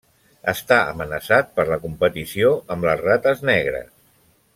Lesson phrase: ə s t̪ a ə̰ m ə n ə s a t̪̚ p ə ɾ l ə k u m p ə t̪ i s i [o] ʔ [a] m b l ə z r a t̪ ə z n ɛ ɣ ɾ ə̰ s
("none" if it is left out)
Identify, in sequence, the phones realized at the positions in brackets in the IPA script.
o, ə

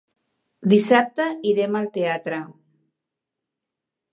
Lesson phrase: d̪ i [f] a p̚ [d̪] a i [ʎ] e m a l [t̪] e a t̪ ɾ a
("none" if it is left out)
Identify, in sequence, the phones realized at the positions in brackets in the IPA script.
s, t̪, ɾ, t̪

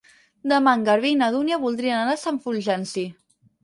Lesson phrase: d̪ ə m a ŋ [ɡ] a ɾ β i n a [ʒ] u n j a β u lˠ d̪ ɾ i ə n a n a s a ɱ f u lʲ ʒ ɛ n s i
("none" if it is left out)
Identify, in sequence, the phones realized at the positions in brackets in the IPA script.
ɡ, ð

